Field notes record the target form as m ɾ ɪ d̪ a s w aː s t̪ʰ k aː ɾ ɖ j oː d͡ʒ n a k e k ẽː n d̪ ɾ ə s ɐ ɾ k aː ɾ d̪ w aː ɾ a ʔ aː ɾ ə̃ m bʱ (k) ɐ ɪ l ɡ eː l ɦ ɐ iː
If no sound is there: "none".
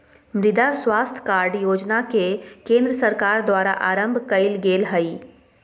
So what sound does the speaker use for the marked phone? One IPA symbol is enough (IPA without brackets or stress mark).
k